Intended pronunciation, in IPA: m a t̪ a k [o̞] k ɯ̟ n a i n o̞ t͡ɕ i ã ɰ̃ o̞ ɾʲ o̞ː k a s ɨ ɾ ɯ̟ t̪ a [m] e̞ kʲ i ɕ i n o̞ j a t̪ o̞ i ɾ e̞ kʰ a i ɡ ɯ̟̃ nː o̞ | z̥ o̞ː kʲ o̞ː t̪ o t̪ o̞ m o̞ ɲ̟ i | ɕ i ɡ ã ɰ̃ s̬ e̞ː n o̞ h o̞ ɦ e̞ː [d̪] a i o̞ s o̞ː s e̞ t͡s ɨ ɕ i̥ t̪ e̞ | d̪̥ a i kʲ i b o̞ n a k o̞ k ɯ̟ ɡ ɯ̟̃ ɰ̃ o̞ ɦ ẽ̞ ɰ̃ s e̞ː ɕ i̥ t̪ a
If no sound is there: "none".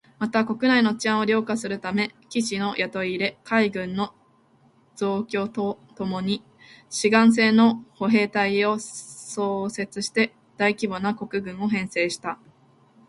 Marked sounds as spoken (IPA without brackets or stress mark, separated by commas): o̞, m, t̪